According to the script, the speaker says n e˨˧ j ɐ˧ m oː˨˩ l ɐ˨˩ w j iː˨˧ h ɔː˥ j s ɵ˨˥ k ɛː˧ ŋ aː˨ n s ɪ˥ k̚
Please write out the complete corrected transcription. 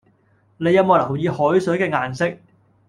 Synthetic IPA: n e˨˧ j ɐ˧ m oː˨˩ l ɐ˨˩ w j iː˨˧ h ɔː˨˥ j s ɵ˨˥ k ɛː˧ ŋ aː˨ n s ɪ˥ k̚